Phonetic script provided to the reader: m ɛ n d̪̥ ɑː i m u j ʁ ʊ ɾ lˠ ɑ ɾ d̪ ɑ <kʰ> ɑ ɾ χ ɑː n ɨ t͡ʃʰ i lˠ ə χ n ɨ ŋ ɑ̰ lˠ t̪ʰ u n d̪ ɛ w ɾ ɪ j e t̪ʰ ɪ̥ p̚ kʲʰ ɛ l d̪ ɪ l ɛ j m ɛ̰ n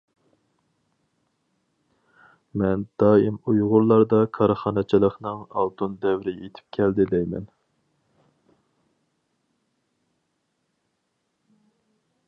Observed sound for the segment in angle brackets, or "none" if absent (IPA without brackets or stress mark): kʰ